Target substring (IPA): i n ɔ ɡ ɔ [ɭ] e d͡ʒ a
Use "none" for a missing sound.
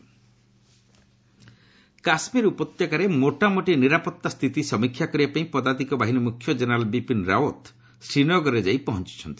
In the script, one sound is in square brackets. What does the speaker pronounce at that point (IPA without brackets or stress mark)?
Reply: ɾ